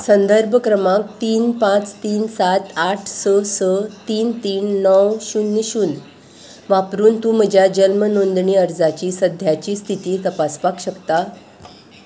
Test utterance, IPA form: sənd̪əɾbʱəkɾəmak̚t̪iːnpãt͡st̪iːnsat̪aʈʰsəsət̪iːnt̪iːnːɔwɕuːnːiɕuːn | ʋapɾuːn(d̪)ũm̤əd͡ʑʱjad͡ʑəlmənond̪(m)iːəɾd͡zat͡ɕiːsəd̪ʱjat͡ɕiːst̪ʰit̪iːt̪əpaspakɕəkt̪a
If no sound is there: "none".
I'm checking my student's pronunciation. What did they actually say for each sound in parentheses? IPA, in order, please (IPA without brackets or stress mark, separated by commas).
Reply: t̪, ɳ